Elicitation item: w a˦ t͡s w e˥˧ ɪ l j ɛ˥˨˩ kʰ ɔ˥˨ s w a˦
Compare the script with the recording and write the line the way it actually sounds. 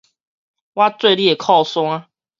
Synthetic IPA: w a˦ t͡s w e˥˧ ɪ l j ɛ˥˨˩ kʰ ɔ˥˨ s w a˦